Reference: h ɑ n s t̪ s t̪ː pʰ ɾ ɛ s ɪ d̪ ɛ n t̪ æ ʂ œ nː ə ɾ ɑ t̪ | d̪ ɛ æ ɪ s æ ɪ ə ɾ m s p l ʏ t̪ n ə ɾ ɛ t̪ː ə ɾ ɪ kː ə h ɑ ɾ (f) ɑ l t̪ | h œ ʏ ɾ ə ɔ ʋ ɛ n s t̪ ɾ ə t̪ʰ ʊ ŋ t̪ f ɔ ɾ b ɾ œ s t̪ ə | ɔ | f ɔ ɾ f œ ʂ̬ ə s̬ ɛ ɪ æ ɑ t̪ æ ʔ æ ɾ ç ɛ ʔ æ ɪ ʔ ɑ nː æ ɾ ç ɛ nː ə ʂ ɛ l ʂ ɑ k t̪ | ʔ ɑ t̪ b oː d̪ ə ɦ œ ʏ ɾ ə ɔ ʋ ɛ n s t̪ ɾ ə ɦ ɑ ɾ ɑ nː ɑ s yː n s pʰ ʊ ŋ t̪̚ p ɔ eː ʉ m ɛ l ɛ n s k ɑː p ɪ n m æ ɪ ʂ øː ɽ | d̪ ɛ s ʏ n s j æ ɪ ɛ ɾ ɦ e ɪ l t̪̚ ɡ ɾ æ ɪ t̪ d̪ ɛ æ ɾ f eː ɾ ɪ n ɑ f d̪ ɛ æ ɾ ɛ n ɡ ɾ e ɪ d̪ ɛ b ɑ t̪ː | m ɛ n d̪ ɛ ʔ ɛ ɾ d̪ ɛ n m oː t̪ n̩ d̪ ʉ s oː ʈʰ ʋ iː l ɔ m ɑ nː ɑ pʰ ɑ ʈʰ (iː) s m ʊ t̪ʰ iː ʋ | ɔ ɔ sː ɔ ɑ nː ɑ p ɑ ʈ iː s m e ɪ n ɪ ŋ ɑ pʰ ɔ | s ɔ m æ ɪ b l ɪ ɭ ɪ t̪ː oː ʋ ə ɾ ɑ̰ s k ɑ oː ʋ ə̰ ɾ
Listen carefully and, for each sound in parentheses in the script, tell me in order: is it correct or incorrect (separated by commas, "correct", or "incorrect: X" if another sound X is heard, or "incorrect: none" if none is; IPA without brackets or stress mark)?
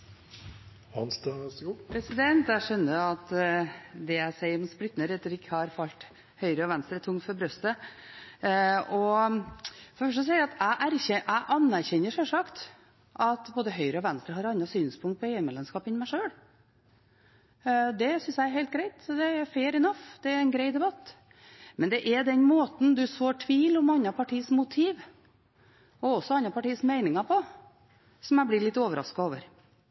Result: correct, correct